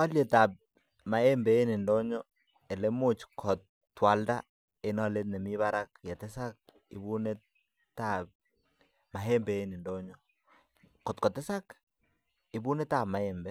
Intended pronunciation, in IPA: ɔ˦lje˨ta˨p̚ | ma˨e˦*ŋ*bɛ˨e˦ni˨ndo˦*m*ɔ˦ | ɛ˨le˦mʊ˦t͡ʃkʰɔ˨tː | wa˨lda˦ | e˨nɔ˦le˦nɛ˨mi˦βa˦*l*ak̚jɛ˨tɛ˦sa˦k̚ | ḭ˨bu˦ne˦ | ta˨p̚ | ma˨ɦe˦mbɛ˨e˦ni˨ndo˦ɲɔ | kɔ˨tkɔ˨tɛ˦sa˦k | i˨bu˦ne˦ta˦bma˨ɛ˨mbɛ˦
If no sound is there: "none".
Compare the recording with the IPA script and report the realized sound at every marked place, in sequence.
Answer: m, ɲ, ɾ

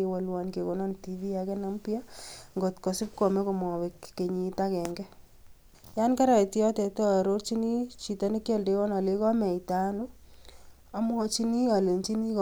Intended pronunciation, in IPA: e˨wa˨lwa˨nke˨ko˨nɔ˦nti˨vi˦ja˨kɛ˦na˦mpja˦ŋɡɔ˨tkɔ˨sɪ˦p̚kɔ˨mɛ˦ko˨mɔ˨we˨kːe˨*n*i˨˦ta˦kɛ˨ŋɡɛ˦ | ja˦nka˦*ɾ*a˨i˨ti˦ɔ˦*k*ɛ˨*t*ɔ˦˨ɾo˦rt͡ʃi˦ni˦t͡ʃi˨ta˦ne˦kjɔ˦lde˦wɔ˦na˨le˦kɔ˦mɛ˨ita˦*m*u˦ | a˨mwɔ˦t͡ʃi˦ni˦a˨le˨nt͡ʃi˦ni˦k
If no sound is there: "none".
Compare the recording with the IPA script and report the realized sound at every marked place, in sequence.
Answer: ɲ, ɾ, t, t, n

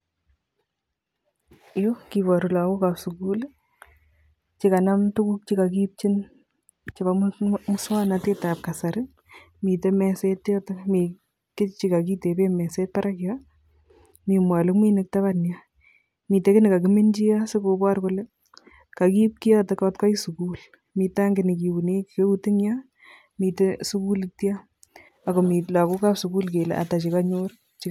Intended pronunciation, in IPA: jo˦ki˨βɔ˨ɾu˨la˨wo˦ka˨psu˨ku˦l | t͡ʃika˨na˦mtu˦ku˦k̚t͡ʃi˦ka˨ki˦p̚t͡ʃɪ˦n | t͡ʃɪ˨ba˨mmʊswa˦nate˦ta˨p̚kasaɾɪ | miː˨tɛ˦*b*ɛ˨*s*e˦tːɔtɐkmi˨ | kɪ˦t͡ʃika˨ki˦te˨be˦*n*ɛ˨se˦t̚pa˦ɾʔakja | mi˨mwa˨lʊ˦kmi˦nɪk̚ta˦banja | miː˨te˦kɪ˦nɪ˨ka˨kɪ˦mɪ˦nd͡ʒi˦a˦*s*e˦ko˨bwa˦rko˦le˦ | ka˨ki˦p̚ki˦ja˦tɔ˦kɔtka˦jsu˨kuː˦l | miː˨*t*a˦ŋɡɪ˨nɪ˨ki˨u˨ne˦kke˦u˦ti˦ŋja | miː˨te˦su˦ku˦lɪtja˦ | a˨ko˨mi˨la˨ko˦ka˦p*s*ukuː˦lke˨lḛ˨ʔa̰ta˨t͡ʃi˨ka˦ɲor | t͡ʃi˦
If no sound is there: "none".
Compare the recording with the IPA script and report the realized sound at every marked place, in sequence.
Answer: m, s, m, s, t, s

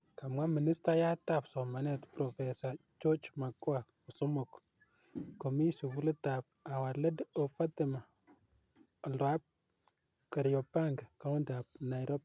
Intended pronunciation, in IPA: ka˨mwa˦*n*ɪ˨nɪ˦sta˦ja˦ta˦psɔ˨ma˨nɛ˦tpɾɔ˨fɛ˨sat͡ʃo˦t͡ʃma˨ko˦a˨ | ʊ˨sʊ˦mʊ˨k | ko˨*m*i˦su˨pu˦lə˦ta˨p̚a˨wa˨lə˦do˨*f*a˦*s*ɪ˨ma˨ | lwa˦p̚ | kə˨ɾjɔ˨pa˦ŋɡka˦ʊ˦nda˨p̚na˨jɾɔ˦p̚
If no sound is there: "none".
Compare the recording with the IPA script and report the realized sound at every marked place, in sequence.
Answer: m, m, f, t

